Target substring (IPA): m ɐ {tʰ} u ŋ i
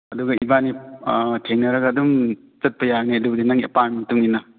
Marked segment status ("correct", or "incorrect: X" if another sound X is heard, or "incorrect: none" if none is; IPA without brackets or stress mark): incorrect: t